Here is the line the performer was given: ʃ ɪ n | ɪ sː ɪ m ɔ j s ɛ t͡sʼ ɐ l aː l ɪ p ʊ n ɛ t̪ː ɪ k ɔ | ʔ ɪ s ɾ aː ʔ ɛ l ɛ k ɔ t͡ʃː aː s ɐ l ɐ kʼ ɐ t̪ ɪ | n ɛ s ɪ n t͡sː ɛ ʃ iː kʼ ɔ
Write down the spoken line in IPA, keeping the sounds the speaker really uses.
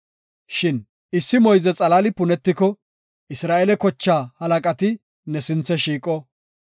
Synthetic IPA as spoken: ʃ ɪ n | ɪ sː ɪ m ɔ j z ɛ t͡sʼ ɐ l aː l ɪ p ʊ n ɛ t̪ː ɪ k ɔ | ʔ ɪ s ɾ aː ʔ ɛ l ɛ k ɔ t͡ʃː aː h ɐ l ɐ kʼ ɐ t̪ ɪ | n ɛ s ɪ n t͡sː ɛ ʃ iː kʼ ɔ